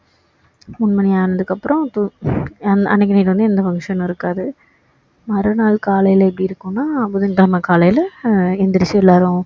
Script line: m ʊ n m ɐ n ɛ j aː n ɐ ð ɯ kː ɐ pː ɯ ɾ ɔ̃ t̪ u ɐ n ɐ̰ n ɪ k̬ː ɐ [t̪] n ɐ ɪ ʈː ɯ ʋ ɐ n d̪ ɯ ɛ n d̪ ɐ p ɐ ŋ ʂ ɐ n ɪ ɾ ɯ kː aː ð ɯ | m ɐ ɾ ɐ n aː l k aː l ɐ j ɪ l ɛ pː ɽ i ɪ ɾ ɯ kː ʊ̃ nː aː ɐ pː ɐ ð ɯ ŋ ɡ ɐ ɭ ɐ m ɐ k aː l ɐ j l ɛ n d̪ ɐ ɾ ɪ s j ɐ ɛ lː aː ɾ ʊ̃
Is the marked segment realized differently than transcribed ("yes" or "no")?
yes